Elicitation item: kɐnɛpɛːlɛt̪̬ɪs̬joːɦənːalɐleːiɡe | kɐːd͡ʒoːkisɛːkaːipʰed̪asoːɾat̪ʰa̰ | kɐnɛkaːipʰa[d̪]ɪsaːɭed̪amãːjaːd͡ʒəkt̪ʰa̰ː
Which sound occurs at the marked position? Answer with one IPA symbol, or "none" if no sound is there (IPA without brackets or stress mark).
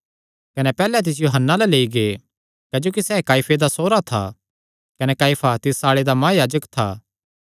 t̪